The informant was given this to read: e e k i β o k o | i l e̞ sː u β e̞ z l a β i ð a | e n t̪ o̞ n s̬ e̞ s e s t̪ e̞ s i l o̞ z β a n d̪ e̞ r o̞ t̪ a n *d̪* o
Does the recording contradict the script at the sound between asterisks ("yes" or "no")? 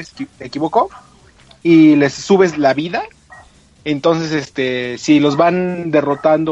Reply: no